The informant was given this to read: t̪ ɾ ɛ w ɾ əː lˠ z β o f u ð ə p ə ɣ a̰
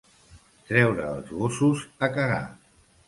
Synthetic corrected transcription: t̪ ɾ ɛ w ɾ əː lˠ z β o s u z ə k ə ɣ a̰